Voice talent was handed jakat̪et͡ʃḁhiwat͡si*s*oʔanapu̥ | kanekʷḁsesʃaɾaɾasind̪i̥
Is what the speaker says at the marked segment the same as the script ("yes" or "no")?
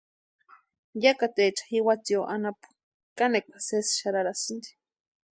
no